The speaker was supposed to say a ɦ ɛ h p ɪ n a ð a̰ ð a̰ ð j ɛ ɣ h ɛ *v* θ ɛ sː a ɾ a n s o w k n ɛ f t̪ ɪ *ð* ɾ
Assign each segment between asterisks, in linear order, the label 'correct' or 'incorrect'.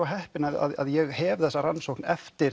correct, incorrect: none

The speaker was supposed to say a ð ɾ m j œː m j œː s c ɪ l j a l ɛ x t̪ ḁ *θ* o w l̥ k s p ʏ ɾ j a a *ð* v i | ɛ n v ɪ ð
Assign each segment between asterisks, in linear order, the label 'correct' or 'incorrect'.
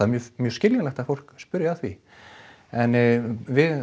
incorrect: f, incorrect: θ

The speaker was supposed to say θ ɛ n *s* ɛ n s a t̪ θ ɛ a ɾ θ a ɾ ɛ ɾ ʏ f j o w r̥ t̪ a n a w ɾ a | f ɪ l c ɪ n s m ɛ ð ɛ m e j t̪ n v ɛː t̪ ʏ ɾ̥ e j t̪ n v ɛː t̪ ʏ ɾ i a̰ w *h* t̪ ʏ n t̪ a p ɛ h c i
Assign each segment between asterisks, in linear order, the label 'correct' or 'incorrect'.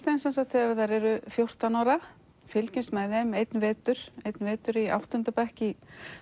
correct, correct

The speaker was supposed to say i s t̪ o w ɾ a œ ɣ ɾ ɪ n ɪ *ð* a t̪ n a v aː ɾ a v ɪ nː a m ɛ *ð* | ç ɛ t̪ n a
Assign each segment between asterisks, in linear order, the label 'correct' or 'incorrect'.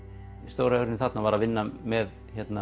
incorrect: θ, correct

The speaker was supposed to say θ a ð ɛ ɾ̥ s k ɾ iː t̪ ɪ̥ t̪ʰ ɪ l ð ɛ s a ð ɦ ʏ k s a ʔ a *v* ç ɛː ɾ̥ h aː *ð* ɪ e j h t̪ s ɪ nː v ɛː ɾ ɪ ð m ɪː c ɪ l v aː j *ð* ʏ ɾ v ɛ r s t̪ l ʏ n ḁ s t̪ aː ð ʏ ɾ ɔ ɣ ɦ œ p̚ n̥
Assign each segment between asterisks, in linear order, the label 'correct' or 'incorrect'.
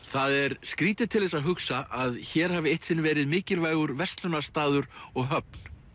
incorrect: ð, incorrect: v, incorrect: ɣ

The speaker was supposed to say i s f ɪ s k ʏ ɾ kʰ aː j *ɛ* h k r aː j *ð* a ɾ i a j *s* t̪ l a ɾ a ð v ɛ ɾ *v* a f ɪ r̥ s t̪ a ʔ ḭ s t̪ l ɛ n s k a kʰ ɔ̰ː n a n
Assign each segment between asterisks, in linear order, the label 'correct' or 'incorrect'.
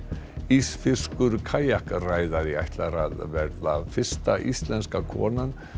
incorrect: a, correct, incorrect: h, incorrect: ð

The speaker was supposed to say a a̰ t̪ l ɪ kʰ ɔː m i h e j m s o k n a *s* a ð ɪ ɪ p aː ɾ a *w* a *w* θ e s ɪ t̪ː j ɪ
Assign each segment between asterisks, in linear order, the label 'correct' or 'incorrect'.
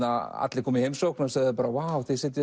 correct, correct, correct

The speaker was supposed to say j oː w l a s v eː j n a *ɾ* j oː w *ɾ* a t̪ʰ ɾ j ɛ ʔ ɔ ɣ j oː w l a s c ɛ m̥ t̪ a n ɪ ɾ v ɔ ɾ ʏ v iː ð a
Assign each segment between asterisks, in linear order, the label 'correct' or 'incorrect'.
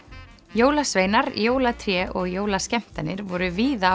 correct, incorrect: l

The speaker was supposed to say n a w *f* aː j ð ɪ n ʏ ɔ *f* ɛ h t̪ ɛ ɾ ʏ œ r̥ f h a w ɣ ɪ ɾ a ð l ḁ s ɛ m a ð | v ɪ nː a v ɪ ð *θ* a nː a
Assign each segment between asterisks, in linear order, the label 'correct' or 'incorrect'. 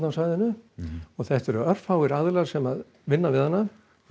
incorrect: s, incorrect: θ, incorrect: h

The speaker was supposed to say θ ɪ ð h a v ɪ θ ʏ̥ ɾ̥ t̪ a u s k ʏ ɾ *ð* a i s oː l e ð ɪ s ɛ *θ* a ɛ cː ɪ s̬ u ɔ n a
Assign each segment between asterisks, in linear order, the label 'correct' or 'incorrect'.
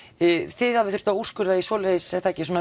correct, correct

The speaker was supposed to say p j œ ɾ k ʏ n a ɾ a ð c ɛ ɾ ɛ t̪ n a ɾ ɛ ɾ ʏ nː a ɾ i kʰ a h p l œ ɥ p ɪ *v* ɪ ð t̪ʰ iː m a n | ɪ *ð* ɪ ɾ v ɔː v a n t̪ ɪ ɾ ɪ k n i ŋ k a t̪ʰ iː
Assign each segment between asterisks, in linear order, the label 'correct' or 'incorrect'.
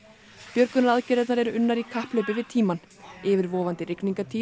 correct, incorrect: v

